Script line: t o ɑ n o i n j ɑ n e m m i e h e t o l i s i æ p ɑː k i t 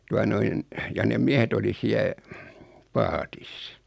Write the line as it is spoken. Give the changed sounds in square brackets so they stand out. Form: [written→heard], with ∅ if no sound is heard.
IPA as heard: t [o→u] ɑ n o i n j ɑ n e m m i e h e t o l i s i æ p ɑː [k→t] i [t→s]